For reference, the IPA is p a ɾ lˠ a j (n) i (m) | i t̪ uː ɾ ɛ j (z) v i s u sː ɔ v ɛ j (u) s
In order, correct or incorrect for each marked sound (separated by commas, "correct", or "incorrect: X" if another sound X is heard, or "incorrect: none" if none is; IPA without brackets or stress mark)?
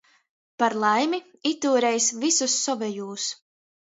incorrect: m, incorrect: none, incorrect: s, incorrect: uː